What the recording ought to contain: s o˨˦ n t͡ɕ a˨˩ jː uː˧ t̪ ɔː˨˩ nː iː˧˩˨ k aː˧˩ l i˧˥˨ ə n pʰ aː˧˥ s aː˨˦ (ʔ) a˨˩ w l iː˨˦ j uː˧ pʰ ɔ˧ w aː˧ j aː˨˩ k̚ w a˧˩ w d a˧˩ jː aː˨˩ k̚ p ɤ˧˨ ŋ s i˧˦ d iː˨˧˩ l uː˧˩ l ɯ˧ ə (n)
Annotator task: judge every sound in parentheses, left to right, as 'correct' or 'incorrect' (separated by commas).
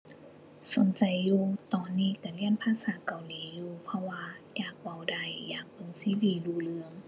incorrect, incorrect